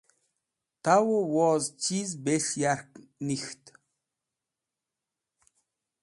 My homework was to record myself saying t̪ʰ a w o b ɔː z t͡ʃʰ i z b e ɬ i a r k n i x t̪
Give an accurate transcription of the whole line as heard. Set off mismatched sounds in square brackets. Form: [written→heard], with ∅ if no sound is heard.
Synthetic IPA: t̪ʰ a w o [b→w] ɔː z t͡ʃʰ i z b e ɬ [i→j] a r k n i x t̪